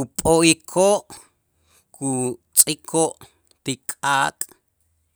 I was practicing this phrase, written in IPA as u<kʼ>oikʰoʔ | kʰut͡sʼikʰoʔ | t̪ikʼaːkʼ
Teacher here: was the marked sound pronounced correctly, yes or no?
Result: no